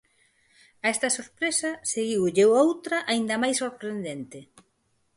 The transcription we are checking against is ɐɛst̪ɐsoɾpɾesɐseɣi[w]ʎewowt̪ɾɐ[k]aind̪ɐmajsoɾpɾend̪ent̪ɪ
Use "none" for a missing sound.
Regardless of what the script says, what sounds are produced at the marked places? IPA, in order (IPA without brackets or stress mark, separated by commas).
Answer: w, ʔ